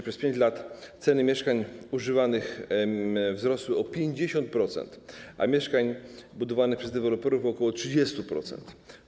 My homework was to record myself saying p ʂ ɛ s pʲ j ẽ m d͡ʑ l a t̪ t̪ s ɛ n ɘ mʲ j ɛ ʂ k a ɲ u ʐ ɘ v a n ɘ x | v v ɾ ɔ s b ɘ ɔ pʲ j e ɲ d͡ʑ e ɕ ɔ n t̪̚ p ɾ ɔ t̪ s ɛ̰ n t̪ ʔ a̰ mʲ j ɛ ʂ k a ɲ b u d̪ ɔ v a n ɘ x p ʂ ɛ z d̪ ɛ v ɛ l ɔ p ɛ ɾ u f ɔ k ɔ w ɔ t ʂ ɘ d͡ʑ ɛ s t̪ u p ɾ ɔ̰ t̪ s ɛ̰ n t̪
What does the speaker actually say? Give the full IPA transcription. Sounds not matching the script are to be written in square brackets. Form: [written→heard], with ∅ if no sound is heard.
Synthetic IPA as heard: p ʂ ɛ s pʲ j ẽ [m→ɲ] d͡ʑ l a t̪ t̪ s ɛ n ɘ mʲ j ɛ ʂ k a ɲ u ʐ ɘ v a n ɘ x | v [v→z] ɾ ɔ s [b→w] ɘ ɔ pʲ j e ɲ d͡ʑ e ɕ ɔ n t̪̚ p ɾ ɔ t̪ s ɛ̰ n t̪ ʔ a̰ mʲ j ɛ ʂ k a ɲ b u d̪ ɔ v a n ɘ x p ʂ ɛ z d̪ ɛ v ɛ l ɔ p ɛ ɾ u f ɔ k ɔ w ɔ t ʂ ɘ d͡ʑ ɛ s t̪ u p ɾ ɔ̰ t̪ s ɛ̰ n t̪